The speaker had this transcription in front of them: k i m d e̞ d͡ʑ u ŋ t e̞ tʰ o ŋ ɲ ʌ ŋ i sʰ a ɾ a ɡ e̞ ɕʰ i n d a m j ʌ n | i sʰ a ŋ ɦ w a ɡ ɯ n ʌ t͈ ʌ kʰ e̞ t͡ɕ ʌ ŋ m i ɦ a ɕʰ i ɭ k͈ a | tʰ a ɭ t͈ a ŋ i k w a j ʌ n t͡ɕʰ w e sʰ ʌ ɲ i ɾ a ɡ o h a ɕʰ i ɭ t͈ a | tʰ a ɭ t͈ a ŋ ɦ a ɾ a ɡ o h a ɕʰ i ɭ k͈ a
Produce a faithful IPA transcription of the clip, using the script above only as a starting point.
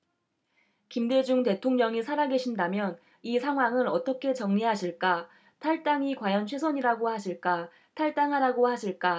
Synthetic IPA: k i m d e̞ d͡ʑ u ŋ t e̞ tʰ o ŋ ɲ ʌ ŋ i sʰ a ɾ a ɡ e̞ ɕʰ i n d a m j ʌ n | i sʰ a ŋ ɦ w a ŋ ɯ n ʌ t͈ ʌ kʰ e̞ t͡ɕ ʌ ŋ ɲ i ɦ a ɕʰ i ɭ k͈ a | tʰ a ɭ t͈ a ŋ i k w a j ʌ n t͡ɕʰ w e sʰ ʌ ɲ i ɾ a ɡ o h a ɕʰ i ɭ k͈ a | tʰ a ɭ t͈ a ŋ ɦ a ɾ a ɡ o h a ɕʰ i ɭ k͈ a

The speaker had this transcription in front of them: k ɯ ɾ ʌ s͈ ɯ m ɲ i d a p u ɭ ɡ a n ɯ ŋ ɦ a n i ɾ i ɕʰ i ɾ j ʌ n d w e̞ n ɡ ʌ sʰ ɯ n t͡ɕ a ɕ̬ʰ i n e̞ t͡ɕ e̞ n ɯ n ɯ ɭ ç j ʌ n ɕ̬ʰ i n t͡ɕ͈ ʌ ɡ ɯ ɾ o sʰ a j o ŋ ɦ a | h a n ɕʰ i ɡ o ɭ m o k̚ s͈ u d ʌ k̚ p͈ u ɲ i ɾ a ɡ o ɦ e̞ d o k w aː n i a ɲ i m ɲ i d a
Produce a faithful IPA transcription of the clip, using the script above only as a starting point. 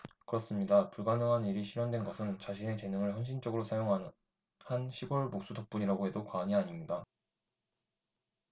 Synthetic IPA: k ɯ ɾ ʌ s͈ ɯ m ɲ i d a p u ɭ ɡ a n ɯ ŋ ɦ a n i ɾ i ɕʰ i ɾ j ʌ n d w e̞ n ɡ ʌ sʰ ɯ n t͡ɕ a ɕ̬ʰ i n e̞ t͡ɕ e̞ n ɯ ŋ ɯ ɭ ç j ʌ n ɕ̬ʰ i n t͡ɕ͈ ʌ ɡ ɯ ɾ o sʰ a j o ŋ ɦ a | h a n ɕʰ i ɡ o ɭ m o k̚ s͈ u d ʌ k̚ p͈ u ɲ i ɾ a ɡ o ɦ e̞ d o k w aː ɲ i a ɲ i m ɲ i d a

